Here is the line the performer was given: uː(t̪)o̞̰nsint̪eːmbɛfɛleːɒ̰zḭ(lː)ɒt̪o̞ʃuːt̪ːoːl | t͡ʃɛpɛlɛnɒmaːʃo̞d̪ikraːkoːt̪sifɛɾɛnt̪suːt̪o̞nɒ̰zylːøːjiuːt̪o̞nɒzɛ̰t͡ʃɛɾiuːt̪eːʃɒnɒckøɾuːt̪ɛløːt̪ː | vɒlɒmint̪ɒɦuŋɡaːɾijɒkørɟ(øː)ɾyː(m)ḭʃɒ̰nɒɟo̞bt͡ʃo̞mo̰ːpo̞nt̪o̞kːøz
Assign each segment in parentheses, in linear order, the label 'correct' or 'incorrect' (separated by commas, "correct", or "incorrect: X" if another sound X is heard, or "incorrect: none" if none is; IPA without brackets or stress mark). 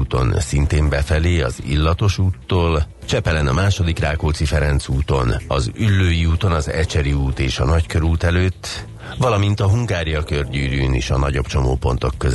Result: correct, correct, incorrect: yː, incorrect: n